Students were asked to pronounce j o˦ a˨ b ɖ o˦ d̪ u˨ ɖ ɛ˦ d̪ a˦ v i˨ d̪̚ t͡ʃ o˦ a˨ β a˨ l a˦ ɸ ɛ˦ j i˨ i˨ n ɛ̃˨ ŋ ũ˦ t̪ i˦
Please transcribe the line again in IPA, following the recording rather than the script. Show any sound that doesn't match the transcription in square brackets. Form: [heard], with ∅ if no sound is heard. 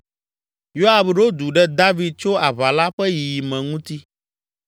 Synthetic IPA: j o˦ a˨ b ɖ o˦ d̪ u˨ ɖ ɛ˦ d̪ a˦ v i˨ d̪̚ t͡ʃ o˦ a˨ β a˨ l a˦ ɸ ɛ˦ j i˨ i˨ [m] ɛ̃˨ ŋ ũ˦ t̪ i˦